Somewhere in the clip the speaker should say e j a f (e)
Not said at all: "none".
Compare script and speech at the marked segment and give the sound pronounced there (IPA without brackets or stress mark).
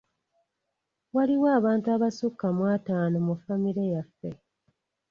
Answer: e